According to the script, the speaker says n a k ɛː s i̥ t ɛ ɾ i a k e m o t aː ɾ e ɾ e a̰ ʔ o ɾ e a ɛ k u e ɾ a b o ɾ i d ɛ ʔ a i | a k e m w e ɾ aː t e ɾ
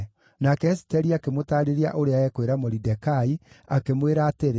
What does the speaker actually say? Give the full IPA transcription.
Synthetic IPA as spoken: n a k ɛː s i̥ t ɛ ɾ i a k e m o t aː ɾ e ɾ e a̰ ʔ o ɾ e a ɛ k w e ɾ a m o ɾ i d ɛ k a i | a k e m w e ɾ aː t e ɾ